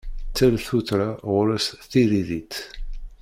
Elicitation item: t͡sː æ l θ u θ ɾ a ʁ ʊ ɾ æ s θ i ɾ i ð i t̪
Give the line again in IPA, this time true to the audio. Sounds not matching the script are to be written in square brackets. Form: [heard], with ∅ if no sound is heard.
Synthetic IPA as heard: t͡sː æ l θ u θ ɾ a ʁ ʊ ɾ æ s θ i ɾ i ð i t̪